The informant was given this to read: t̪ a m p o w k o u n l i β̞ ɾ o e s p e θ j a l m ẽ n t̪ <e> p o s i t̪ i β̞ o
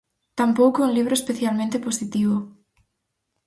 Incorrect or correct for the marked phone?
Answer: correct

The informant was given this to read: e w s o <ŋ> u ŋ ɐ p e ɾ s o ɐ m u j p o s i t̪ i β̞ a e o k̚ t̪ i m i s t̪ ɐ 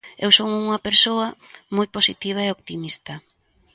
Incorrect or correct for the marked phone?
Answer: correct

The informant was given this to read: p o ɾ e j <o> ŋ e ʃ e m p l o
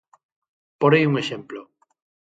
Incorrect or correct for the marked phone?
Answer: incorrect: u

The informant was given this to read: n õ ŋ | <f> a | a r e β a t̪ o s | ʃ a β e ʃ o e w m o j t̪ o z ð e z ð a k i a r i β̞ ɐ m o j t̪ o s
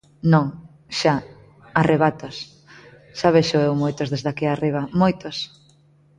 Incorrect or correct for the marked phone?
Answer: incorrect: ʃ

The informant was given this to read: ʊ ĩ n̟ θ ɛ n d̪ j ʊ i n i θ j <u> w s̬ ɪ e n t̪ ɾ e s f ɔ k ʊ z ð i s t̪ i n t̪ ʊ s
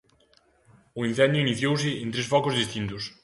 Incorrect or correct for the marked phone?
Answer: incorrect: o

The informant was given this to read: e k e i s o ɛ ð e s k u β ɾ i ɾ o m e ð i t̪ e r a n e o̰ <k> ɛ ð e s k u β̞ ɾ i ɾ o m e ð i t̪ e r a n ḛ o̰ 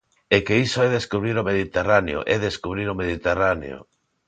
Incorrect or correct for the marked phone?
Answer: incorrect: ʔ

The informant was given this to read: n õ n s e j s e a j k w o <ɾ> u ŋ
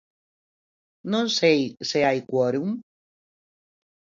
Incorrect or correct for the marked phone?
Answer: correct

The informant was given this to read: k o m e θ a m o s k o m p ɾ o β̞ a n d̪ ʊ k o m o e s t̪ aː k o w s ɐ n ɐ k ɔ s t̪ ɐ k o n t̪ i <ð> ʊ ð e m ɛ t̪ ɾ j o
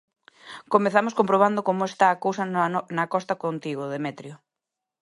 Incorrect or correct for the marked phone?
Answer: incorrect: ɣ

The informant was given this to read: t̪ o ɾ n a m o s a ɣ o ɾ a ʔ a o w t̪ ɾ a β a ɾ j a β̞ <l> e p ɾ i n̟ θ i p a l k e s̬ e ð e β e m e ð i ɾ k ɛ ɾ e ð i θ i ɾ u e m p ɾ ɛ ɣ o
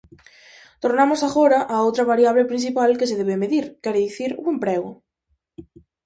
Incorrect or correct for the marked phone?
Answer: correct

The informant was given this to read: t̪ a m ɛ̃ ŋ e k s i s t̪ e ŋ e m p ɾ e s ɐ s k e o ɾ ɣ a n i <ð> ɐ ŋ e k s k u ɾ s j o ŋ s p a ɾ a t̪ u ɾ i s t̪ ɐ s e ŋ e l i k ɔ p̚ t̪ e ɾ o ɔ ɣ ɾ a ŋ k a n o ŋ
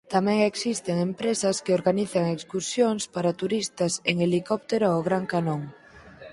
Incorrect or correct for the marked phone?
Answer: incorrect: θ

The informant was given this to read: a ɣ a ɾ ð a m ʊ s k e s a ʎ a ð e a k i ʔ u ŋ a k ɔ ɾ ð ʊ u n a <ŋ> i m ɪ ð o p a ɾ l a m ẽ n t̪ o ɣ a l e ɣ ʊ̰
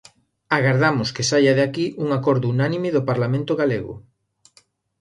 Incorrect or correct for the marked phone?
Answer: incorrect: n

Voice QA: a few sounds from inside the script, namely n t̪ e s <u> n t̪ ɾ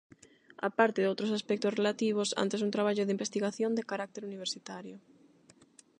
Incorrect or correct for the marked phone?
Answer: correct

